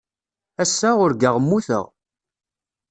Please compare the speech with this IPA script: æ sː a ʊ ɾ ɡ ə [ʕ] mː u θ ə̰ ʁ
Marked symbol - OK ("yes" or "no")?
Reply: no